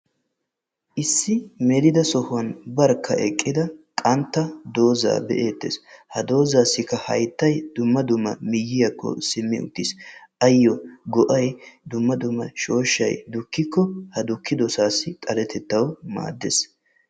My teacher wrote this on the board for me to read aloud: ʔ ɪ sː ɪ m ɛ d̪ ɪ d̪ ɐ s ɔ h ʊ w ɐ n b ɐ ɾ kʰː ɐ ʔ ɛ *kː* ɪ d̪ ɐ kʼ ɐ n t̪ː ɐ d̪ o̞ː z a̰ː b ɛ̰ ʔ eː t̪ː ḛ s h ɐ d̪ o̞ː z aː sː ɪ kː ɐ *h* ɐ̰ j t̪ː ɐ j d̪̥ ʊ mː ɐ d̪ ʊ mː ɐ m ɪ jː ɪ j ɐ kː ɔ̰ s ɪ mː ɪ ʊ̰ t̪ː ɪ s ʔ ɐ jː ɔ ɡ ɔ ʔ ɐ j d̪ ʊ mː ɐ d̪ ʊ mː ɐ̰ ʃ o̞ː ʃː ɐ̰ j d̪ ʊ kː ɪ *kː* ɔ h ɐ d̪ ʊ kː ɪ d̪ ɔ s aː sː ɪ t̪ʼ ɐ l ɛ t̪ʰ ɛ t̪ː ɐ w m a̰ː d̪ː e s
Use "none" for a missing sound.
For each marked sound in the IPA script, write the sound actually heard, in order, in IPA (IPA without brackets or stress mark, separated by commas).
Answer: kʼː, h, kː